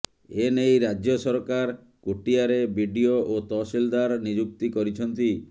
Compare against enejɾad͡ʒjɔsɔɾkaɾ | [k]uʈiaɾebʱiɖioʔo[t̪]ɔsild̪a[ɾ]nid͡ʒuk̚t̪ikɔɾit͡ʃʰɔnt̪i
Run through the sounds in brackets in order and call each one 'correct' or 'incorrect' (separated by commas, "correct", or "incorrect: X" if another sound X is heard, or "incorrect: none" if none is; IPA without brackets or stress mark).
correct, correct, correct